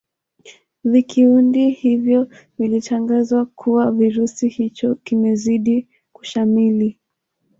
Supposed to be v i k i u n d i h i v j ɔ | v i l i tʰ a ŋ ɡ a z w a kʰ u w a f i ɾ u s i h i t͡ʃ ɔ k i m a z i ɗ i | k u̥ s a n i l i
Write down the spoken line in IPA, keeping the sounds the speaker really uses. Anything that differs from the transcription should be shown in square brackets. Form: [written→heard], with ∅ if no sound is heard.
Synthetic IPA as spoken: v i k i u n d i h i v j ɔ | v i l i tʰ a ŋ ɡ a z w a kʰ u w a [f→v] i ɾ u s i h i t͡ʃ ɔ k i m [a→ɛ] z i ɗ i | k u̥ [s→ʃ] a [n→m] i l i